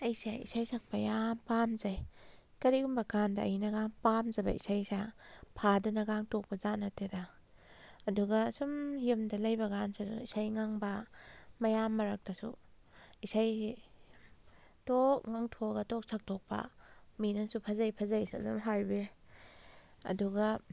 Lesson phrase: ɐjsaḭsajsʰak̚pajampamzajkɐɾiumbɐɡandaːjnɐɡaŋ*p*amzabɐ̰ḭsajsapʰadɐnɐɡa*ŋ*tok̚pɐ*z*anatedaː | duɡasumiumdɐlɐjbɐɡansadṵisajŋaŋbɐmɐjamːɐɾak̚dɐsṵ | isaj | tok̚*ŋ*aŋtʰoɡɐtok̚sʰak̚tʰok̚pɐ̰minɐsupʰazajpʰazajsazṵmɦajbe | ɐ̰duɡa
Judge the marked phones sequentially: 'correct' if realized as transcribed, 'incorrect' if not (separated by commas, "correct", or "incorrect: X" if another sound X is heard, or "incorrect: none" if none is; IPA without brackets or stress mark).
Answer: correct, correct, correct, correct